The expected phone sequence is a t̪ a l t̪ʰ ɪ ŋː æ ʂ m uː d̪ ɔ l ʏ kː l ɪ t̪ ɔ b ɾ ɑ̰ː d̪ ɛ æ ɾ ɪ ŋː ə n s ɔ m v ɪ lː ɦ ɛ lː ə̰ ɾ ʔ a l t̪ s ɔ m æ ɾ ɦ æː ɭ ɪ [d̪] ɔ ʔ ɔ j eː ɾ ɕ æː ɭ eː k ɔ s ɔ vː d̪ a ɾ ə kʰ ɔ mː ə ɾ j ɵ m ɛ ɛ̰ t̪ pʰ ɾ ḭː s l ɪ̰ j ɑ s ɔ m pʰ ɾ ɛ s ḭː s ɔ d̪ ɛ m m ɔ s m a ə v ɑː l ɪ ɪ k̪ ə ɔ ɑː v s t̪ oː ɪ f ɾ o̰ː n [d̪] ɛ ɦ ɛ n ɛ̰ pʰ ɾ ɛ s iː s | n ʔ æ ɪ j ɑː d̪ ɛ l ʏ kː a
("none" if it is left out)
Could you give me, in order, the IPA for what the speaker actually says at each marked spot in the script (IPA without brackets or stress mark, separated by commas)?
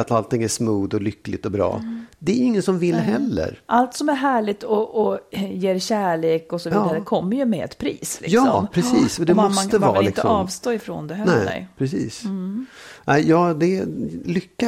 t̪, d̪